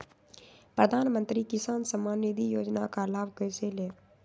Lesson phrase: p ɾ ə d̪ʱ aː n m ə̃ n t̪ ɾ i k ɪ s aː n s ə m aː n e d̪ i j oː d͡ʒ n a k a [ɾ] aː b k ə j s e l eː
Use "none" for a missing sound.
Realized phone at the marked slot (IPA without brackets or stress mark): l